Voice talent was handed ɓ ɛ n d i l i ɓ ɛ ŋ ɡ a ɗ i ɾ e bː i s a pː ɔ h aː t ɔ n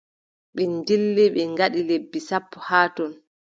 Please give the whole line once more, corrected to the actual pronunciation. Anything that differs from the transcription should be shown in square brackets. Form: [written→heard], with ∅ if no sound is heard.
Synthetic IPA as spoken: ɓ ɛ n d i [l→lː] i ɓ ɛ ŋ ɡ a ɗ i [ɾ→l] e bː i s a pː ɔ h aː t ɔ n